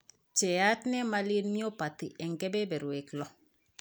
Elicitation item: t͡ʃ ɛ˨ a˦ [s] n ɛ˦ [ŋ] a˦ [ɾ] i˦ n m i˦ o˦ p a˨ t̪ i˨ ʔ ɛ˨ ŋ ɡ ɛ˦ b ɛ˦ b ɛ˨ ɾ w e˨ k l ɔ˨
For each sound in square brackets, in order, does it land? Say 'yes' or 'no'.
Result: no, no, no

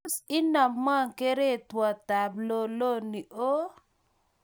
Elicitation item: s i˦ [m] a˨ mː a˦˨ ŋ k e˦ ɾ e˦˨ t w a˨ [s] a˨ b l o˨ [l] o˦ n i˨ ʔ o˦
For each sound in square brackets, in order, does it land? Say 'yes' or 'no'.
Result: no, no, yes

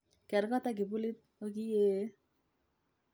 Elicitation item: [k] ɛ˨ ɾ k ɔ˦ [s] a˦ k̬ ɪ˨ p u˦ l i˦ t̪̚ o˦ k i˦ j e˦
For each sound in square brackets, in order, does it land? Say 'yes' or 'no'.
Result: yes, no

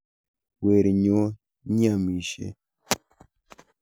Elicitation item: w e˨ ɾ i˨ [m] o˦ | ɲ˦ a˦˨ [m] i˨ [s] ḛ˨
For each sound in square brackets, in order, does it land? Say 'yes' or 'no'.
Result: no, yes, no

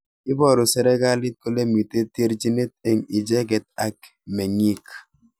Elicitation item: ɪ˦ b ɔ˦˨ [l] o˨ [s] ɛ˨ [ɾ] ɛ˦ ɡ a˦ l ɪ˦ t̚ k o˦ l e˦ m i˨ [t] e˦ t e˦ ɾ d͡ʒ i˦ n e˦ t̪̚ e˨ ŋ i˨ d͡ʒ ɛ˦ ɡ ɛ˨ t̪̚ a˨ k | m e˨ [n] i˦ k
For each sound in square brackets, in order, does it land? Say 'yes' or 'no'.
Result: no, yes, yes, yes, no

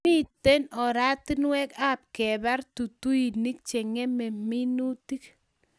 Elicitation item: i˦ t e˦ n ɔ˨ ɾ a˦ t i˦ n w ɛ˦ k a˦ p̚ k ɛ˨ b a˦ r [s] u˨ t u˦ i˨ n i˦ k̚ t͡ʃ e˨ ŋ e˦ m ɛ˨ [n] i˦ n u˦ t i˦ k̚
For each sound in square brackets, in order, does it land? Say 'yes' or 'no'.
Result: no, no

